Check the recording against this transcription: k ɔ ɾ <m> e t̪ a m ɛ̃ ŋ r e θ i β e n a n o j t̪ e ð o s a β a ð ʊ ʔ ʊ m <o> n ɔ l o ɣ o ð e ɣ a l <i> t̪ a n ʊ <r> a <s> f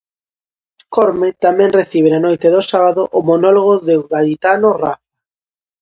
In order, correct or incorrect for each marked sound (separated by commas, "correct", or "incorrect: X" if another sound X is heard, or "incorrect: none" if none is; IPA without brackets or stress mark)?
correct, correct, correct, correct, incorrect: none